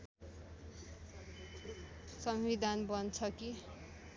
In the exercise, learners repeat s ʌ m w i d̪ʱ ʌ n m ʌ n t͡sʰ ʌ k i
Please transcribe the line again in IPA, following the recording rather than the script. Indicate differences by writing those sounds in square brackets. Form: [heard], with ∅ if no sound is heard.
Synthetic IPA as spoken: s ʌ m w i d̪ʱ [a] n [b] ʌ n t͡sʰ ʌ k i